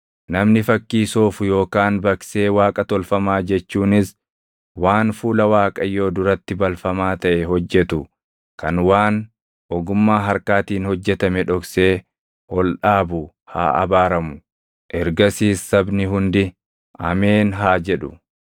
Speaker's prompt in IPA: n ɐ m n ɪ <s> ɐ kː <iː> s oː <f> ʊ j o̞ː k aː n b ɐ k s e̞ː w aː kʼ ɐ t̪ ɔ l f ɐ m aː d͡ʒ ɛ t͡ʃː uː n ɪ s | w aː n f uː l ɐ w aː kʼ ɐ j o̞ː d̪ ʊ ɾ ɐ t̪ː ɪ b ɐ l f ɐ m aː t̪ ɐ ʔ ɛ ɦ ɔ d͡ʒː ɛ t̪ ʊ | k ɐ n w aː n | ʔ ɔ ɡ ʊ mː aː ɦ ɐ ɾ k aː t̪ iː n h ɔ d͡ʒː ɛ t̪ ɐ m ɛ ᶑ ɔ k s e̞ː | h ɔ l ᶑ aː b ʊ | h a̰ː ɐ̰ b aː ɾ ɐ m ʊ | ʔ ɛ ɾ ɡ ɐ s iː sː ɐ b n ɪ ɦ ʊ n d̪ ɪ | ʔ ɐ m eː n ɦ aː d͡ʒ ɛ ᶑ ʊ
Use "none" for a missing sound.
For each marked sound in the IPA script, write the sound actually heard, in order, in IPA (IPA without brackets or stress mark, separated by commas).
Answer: f, iː, f